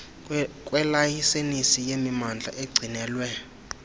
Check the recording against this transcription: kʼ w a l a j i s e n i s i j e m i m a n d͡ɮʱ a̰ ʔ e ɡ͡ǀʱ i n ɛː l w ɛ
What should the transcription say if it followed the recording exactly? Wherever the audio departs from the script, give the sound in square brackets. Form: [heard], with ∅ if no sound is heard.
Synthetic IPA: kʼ w [ɛ] l a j i s e n i s i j e m i m a n d͡ɮʱ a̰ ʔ e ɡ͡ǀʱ i n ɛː l w ɛ

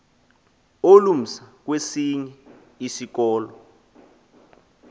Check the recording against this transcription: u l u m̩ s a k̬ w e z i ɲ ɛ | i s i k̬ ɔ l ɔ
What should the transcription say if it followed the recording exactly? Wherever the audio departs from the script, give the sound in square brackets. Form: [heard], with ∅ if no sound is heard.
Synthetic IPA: [o] l u m̩ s a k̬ w e [s] i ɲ ɛ | i s i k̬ [ɔː] l ɔ

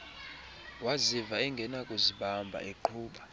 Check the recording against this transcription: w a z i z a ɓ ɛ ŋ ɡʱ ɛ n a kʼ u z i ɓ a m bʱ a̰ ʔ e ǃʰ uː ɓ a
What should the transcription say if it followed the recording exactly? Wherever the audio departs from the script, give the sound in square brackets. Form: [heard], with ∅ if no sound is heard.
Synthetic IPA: w a z i [v] a [∅] ɛ ŋ ɡʱ ɛ n a kʼ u z i ɓ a m bʱ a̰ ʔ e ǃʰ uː ɓ a

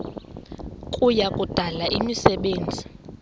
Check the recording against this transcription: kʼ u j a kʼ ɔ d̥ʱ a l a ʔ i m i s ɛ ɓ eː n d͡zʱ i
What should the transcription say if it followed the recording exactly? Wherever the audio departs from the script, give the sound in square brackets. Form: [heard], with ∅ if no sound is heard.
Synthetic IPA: kʼ u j a kʼ [u] d̥ʱ a l a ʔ i m i s ɛ ɓ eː n d͡zʱ i

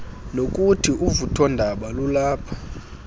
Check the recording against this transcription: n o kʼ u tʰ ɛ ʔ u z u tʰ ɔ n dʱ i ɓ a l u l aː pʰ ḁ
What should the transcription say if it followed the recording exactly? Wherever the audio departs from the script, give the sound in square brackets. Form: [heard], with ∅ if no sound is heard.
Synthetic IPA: n o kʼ u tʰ [i] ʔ u [v] u tʰ ɔ n dʱ [a] ɓ a l u l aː pʰ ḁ

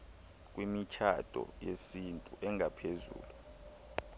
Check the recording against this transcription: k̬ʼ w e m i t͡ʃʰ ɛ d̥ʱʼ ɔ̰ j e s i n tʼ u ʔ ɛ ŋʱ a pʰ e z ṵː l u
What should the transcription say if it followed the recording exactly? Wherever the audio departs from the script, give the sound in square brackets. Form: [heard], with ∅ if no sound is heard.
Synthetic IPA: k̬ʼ w [i] m i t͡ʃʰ [a] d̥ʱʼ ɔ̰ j e s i n tʼ u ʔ ɛ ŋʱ a pʰ e z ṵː l u

